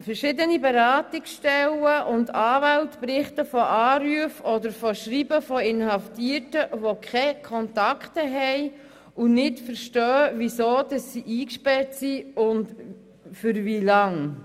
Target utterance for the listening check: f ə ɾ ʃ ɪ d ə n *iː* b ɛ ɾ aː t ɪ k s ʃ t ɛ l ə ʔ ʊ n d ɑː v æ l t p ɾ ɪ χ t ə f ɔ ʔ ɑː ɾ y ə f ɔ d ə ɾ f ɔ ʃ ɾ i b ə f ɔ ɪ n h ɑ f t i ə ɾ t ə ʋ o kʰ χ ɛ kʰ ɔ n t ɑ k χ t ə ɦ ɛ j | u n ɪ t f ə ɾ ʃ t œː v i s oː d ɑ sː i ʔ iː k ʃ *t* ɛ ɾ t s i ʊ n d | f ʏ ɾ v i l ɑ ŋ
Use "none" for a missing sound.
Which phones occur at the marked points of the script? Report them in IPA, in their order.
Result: i, p

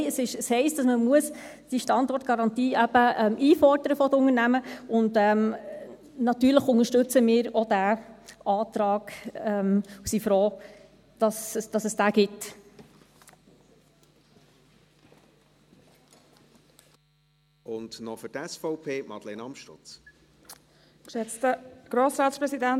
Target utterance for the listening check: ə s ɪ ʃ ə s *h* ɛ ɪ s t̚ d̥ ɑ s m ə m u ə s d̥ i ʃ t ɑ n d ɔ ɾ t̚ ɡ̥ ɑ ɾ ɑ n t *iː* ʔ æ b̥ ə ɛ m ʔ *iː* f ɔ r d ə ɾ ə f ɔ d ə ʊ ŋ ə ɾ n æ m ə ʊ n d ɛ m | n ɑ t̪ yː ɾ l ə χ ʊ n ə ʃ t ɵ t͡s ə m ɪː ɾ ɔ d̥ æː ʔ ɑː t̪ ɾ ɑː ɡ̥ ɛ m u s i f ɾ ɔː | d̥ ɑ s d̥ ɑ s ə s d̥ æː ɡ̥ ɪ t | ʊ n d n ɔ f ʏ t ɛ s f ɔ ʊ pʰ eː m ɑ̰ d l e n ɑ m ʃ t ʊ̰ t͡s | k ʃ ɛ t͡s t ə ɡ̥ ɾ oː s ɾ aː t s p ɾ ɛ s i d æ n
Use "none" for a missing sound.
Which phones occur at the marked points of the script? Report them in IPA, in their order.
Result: h, iː, iː

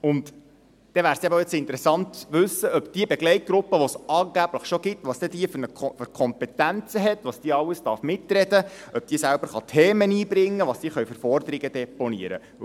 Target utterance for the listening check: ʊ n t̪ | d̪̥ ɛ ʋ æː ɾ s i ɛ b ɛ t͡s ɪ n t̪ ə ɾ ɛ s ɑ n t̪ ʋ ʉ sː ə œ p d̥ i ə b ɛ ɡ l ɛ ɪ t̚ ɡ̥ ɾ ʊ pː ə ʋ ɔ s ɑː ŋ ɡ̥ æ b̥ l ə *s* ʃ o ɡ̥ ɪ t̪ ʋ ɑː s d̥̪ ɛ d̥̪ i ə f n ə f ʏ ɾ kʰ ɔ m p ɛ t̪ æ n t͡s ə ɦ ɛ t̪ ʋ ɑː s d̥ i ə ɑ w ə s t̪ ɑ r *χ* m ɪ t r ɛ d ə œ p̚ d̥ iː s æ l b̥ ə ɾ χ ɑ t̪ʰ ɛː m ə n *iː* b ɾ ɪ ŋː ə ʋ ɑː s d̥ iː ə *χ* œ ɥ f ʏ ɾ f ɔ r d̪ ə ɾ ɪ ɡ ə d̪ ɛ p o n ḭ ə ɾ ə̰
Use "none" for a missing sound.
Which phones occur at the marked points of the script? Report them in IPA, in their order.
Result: χ, f, iː, χ

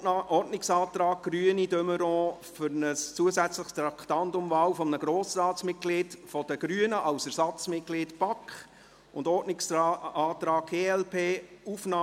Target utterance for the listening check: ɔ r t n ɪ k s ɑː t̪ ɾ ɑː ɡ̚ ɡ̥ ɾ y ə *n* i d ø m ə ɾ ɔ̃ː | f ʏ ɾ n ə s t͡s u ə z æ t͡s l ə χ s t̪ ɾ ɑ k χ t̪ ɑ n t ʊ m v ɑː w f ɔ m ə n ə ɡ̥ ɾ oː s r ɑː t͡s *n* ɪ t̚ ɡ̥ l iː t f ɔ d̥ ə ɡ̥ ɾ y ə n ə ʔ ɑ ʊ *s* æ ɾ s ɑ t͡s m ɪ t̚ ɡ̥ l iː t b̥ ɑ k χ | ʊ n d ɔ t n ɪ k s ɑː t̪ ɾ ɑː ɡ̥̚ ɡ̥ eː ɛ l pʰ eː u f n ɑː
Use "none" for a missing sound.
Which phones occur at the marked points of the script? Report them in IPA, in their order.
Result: n, m, s

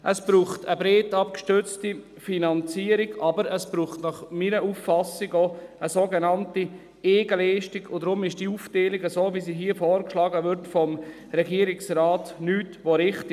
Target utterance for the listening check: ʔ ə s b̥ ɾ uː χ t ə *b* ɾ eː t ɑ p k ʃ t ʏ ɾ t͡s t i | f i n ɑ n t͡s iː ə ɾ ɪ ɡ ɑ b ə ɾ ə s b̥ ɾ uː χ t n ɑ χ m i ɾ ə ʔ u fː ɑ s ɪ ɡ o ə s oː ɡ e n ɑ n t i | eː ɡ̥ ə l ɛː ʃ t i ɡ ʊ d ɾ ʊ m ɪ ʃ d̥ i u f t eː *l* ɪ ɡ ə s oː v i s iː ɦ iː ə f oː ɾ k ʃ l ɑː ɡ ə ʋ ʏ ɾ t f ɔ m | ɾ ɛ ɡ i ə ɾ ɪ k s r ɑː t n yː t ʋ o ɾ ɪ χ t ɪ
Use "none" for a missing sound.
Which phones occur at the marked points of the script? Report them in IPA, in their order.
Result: b, l

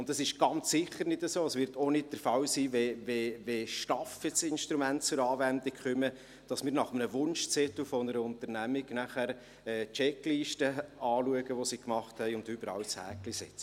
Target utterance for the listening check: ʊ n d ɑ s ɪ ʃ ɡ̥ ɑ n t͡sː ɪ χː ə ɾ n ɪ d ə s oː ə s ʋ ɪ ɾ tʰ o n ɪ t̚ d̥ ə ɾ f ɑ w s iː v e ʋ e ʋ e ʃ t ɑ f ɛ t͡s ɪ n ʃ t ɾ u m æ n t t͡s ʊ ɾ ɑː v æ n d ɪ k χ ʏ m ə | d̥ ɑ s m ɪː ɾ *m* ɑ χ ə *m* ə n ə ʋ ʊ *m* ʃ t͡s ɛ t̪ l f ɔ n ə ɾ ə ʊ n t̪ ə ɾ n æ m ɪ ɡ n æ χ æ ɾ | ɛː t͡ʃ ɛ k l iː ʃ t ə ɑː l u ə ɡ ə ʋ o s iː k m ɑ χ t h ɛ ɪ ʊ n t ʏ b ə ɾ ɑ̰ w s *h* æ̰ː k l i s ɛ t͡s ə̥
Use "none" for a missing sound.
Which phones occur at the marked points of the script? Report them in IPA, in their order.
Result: n, m, n, h

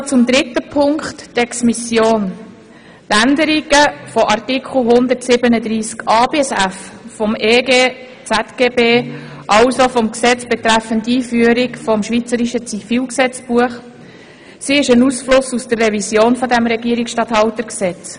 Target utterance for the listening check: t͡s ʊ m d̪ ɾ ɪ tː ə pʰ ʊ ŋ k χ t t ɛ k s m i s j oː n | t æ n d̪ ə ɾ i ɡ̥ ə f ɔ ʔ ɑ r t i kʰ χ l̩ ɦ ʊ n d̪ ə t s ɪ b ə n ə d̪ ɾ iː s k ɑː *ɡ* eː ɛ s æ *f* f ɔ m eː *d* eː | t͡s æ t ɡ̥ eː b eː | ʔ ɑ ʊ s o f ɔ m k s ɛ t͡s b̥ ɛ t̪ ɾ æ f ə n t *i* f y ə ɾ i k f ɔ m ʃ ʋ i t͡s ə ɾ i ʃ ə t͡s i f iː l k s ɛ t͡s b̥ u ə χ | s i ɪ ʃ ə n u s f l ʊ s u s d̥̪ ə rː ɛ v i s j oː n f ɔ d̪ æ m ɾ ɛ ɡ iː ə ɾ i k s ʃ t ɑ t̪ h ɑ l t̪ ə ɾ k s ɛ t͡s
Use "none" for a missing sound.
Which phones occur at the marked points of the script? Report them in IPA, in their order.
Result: b, f, ɡ, iː

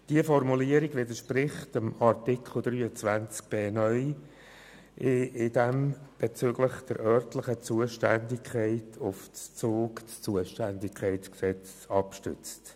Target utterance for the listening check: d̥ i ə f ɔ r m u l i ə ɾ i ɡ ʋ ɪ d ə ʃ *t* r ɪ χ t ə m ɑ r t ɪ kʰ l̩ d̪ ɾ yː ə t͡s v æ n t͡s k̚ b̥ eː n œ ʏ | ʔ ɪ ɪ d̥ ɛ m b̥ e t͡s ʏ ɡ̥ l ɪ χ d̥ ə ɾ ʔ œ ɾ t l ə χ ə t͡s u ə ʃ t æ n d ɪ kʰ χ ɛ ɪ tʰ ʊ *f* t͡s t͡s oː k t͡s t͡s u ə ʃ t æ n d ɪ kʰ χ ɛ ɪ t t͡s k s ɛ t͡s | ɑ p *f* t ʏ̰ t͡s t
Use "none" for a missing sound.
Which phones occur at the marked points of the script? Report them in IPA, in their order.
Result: p, f, ʃ

